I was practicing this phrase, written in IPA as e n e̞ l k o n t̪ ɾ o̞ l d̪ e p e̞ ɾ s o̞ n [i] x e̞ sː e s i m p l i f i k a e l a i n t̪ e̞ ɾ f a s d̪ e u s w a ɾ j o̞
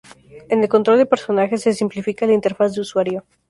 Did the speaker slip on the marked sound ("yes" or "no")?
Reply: yes